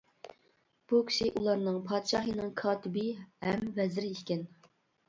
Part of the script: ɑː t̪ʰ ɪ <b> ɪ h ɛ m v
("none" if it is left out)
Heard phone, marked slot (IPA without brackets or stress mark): b